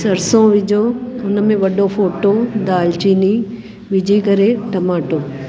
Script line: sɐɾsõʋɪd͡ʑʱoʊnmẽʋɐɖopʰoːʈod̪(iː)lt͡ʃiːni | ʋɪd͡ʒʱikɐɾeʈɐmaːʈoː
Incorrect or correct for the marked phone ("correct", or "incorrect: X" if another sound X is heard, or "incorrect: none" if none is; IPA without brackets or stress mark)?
incorrect: aː